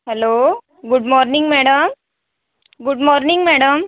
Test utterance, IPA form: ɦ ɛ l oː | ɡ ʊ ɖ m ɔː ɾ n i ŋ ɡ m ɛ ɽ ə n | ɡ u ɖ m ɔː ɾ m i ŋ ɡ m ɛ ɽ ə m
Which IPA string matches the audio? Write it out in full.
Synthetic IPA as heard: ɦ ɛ l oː | ɡ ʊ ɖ m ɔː ɾ n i ŋ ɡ m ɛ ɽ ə m | ɡ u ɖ m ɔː ɾ n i ŋ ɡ m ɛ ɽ ə m